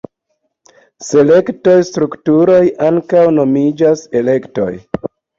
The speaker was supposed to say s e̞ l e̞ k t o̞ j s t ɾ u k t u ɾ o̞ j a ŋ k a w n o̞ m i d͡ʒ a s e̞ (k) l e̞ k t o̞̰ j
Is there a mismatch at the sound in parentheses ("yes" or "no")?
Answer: yes